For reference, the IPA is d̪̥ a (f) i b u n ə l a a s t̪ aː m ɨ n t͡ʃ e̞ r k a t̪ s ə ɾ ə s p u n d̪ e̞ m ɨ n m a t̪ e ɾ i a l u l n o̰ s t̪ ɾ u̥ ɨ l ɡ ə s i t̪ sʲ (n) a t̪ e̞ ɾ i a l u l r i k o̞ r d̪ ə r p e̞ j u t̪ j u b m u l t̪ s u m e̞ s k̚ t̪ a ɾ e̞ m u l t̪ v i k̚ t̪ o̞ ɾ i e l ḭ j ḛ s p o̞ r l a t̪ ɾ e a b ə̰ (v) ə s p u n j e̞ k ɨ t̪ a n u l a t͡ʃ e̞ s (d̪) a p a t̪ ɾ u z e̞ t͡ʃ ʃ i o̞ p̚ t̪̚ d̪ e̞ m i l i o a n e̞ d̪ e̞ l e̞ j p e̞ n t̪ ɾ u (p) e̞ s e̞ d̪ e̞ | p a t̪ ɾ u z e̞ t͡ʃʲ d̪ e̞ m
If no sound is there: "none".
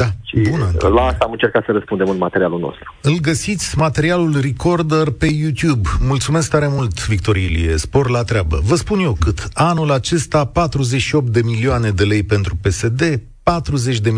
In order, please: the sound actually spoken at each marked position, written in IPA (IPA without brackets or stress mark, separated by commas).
ʃ, m, v, t̪, p